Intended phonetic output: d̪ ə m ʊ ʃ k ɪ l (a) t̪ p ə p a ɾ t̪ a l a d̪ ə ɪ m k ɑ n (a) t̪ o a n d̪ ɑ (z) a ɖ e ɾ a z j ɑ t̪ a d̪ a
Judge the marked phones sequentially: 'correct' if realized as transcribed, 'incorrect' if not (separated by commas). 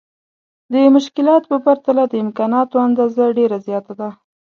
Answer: incorrect, incorrect, correct